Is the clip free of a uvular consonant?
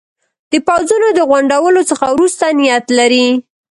yes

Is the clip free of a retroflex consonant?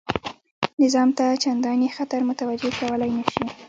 yes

